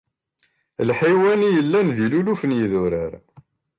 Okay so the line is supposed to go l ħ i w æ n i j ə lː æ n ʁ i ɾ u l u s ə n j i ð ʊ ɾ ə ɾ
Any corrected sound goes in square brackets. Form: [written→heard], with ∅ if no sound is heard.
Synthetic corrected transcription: l ħ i w æ n i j ə lː æ n [ʁ→ð] i [ɾ→l] u l u [s→f] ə n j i ð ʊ ɾ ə ɾ